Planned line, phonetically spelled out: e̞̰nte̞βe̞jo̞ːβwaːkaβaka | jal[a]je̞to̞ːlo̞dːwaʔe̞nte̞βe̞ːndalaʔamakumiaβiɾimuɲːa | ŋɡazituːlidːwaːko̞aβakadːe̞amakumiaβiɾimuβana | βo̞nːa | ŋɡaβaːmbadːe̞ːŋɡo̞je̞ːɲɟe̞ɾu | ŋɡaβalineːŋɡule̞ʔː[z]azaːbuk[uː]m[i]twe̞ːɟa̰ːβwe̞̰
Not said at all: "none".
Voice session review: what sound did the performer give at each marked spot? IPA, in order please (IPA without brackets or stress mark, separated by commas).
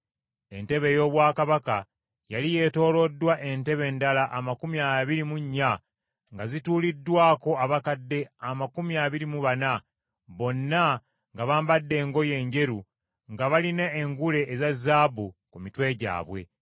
i, z, u, i